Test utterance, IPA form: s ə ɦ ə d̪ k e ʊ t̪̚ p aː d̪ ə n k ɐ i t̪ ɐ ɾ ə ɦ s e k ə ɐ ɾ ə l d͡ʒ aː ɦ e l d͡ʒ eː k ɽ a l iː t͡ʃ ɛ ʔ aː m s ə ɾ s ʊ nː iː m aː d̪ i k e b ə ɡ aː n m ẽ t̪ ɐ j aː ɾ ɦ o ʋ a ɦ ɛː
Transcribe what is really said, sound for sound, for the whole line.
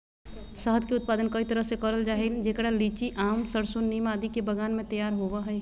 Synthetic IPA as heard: s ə ɦ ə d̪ k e ʊ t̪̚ p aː d̪ ə n k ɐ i t̪ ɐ ɾ ə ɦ s e k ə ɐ ɾ ə l d͡ʒ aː ɦ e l d͡ʒ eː k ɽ a l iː t͡ʃ i ʔ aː m s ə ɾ s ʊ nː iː m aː d̪ i k e b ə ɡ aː n m ẽ t̪ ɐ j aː ɾ ɦ o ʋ a ɦ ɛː